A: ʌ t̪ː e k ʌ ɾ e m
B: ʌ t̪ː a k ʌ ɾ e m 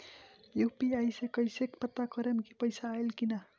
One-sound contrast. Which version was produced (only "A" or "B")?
B